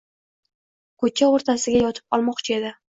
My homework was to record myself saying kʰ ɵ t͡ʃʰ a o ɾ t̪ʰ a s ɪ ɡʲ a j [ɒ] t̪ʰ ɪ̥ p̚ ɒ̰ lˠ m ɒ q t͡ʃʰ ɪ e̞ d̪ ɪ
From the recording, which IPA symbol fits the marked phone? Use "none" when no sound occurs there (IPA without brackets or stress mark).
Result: ɒ